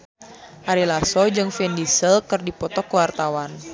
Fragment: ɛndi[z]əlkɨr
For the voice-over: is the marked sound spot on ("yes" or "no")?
no